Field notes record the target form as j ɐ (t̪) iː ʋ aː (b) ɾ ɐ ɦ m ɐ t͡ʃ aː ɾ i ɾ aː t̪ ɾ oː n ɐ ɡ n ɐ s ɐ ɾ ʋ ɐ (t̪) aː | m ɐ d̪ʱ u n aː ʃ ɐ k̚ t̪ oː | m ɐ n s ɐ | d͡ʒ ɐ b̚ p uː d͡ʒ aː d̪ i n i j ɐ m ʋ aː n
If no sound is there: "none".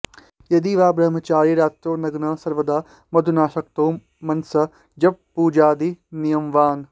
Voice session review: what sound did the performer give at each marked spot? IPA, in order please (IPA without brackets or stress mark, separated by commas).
d̪, b, d̪